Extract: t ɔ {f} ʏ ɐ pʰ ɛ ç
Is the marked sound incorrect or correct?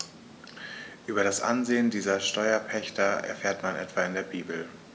incorrect